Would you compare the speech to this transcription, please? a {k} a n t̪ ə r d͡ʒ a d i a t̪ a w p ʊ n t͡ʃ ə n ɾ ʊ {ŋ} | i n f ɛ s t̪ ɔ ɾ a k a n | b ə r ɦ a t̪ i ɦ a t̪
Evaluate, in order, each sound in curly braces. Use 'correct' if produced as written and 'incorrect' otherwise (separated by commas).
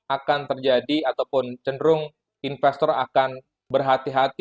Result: correct, correct